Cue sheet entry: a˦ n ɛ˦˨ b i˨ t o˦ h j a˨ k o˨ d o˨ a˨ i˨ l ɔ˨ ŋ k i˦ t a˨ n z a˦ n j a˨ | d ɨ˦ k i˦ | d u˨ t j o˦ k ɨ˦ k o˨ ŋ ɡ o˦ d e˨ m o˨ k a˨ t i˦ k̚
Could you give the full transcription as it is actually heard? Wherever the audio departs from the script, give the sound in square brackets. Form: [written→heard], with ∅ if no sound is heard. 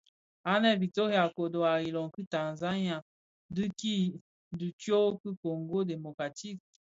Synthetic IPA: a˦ n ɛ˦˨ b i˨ t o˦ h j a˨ k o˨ d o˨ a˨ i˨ l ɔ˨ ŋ k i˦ t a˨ n z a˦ n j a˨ | d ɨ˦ k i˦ | d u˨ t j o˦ k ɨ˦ k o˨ ŋ ɡ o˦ d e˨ m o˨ k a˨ t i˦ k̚